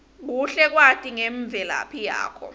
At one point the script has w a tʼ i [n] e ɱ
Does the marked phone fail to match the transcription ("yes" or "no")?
yes